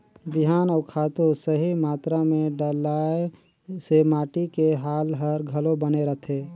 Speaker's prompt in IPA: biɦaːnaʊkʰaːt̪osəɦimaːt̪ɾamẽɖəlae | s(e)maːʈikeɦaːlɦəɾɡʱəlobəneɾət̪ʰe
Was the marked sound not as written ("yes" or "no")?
no